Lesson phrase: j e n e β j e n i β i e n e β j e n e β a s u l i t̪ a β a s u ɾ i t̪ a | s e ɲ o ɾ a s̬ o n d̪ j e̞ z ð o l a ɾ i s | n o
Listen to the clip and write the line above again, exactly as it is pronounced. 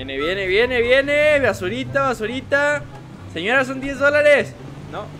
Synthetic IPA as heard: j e n e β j e n e β j e n e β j e n e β a s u ɾ i t̪ a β a s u ɾ i t̪ a | s e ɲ o ɾ a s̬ o n d̪ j e̞ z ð o l a ɾ e s | n o